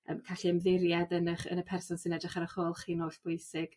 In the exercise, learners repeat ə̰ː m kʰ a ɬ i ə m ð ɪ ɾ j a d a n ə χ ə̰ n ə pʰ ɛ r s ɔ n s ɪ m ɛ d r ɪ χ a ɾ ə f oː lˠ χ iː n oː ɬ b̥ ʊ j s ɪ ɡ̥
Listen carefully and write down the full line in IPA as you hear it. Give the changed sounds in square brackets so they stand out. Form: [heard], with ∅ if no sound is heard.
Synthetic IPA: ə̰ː m kʰ a ɬ i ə m ð ɪ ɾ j a d [ə] n ə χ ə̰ n ə pʰ ɛ r s ɔ n s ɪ [n] ɛ d r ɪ χ a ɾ ə [χ] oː lˠ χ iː n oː ɬ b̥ ʊ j s ɪ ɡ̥